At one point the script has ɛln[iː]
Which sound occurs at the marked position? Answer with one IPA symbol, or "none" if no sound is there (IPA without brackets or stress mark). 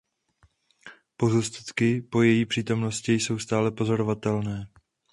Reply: ɛː